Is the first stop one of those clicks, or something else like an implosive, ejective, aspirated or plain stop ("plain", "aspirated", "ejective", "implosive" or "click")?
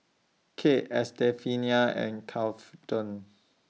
aspirated